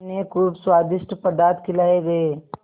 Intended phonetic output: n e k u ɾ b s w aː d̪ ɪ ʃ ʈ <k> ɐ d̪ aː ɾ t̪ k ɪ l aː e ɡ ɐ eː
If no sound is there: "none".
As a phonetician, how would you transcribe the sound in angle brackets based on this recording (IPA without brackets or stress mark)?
p